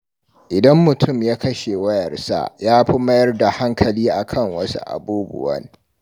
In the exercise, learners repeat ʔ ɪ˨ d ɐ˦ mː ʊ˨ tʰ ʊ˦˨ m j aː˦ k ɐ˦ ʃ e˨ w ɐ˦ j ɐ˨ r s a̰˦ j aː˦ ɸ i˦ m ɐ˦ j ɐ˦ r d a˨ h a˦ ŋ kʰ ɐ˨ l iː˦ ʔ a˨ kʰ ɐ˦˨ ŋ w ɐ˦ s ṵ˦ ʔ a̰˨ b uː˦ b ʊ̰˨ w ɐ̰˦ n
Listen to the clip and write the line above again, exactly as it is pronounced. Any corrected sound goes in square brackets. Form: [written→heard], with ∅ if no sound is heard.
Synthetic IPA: ʔ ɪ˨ d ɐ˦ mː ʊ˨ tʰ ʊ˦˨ m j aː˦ k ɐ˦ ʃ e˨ w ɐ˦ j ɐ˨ r s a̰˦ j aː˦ ɸ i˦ m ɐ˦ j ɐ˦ r d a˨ h a˦ ŋ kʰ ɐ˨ l iː˦ ʔ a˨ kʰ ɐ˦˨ ŋ w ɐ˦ s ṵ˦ ʔ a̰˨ b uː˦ b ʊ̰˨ w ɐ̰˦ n